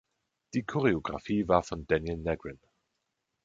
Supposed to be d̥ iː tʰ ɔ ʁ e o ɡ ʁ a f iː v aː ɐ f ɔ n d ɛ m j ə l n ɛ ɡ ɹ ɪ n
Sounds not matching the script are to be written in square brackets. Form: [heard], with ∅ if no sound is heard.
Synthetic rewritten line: d̥ iː [kʰ] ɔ ʁ e o ɡ ʁ a f iː v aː ɐ f ɔ n d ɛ [n] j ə l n ɛ ɡ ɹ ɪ n